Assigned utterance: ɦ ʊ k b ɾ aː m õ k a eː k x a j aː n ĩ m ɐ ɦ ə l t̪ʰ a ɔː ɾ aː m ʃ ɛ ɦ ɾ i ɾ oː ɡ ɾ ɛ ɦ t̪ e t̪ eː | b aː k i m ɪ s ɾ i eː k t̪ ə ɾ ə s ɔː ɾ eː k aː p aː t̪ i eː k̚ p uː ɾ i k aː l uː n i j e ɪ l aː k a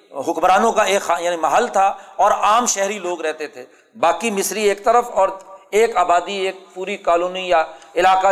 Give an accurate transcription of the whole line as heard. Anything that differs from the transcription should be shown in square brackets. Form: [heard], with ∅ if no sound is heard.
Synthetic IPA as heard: ɦ ʊ k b ɾ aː [n] õ k a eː k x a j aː n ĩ m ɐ ɦ ə l t̪ʰ a ɔː ɾ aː m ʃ ɛ ɦ ɾ i [l] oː ɡ ɾ ɛ ɦ t̪ e [t̪ʰ] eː | b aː k i m ɪ s ɾ i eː k t̪ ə ɾ ə [f] ɔː ɾ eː k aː [b] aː [d̪] i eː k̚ p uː ɾ i k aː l uː n i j [a] ɪ l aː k a